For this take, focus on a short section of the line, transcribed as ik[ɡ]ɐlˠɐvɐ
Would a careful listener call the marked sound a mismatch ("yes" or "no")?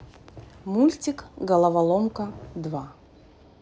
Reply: no